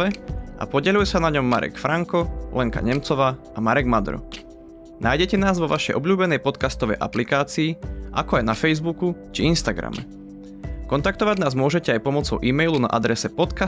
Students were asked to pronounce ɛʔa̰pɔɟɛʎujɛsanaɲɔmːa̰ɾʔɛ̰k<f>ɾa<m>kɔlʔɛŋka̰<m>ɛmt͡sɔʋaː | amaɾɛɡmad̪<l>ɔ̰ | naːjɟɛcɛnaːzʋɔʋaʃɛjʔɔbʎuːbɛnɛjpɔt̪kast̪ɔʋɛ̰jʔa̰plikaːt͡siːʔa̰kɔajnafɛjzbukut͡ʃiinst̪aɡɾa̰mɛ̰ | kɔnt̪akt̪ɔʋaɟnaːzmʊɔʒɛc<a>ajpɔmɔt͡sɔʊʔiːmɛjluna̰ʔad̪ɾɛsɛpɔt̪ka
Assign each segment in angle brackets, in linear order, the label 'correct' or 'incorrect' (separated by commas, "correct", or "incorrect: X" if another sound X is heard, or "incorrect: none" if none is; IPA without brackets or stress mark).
correct, incorrect: ŋ, incorrect: ɲ, incorrect: ɾ, incorrect: ɛ